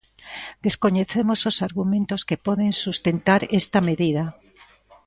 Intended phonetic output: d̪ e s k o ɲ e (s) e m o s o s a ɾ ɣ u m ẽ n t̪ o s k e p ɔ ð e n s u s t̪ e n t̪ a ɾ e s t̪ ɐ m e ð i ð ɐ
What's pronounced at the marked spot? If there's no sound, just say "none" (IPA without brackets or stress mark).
θ